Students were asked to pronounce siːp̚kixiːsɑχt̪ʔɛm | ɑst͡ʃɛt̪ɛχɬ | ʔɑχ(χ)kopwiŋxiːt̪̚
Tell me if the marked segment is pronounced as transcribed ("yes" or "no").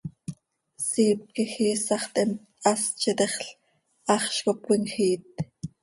no